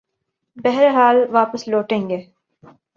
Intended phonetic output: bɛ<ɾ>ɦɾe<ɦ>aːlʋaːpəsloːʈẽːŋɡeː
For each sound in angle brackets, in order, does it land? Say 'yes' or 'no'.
no, yes

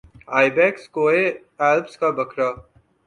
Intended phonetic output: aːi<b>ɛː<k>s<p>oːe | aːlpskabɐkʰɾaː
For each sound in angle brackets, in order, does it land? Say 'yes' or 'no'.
yes, yes, no

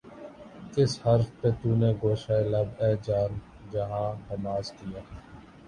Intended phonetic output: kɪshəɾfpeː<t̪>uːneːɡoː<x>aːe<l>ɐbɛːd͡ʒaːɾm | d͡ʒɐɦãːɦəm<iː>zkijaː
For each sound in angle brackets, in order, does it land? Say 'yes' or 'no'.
yes, no, yes, no

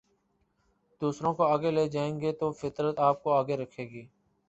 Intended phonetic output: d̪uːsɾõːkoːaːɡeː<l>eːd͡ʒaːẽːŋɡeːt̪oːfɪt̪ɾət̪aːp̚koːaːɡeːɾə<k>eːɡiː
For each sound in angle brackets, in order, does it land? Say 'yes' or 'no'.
yes, no

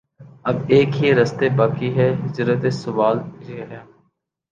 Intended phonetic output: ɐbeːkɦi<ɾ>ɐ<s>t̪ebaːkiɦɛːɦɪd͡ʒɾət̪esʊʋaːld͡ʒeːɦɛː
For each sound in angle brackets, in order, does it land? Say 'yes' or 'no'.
yes, yes

